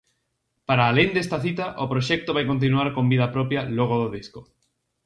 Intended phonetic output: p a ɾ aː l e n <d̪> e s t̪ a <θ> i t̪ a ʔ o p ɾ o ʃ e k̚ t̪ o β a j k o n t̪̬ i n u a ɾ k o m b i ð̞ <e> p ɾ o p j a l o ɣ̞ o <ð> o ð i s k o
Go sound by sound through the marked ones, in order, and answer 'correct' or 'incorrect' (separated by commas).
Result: correct, correct, incorrect, correct